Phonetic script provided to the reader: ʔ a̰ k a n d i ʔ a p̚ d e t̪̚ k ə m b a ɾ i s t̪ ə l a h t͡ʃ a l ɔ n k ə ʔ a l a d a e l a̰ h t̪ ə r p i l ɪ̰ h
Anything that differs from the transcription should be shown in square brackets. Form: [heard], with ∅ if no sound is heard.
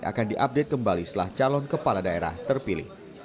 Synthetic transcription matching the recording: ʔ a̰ k a n d i ʔ a p̚ d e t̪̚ k ə m b a [l] i s t̪ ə l a h t͡ʃ a l ɔ n k ə [p] a l a d a e [ɾ] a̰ h t̪ ə r p i l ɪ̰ h

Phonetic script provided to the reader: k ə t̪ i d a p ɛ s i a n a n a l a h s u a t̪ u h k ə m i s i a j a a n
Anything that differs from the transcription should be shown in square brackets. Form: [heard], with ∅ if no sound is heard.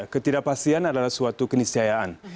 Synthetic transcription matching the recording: k ə t̪ i d a p [a] s i a n a [d] a l a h s u a t̪ u [∅] k ə [n] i s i a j a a n

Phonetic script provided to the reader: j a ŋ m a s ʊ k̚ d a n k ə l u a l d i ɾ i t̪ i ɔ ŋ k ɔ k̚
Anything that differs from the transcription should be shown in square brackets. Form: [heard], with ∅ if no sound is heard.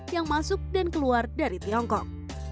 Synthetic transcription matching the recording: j a ŋ m a s ʊ k̚ d a n k ə l u a [r] d [a] ɾ i t̪ i ɔ ŋ k ɔ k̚

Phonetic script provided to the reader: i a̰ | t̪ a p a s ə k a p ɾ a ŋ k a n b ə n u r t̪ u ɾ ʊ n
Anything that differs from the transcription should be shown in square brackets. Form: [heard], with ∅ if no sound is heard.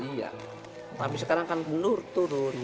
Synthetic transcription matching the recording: i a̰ | t̪ a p [i] s ə k a [∅] ɾ a ŋ k a n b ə n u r t̪ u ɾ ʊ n

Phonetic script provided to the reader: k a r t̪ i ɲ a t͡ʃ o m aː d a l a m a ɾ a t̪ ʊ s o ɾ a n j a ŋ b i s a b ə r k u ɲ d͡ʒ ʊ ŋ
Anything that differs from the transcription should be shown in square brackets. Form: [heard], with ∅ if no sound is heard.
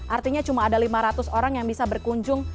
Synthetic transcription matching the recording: [ʔ] a r t̪ i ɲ a t͡ʃ [u] m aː d a l [i] m a ɾ a t̪ ʊ s o ɾ a [ŋ] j a ŋ b i s a b ə r k u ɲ d͡ʒ ʊ ŋ

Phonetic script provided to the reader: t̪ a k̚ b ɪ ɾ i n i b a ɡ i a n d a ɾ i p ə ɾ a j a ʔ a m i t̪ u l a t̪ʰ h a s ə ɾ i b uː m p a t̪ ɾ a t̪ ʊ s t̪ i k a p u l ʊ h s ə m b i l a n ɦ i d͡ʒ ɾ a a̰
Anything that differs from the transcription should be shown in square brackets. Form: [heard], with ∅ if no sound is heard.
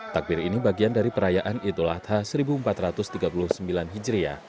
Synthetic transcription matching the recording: t̪ a k̚ b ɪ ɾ i n i b a ɡ i a n d a ɾ i p ə ɾ a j a ʔ a [n] i t̪ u l a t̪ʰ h a s ə ɾ i b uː m p a t̪ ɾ a t̪ ʊ s t̪ i [ɡ] a p u l ʊ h s ə m b i l a n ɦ i d͡ʒ ɾ [i] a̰

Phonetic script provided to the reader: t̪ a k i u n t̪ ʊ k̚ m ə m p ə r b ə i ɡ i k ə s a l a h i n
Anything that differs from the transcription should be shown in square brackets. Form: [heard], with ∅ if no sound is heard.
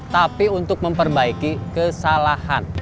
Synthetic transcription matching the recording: t̪ a [p] i u n t̪ ʊ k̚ m ə m p ə r b [a] i [k] i k ə s a l a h [a] n

